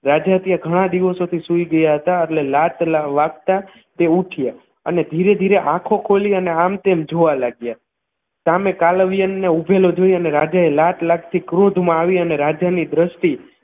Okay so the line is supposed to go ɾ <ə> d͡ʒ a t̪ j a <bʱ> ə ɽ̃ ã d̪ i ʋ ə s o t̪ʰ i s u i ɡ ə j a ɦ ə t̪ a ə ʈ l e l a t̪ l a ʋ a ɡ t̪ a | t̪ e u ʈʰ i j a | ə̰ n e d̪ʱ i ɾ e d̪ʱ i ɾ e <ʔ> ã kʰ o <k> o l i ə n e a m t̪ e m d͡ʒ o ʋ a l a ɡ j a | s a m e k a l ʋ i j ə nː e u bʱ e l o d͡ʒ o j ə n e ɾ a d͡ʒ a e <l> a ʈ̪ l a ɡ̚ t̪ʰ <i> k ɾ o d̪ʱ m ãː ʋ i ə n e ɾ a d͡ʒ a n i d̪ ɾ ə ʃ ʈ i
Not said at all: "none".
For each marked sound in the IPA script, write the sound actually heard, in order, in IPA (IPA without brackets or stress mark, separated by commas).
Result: a, ɡʱ, ʔ, kʰ, l, i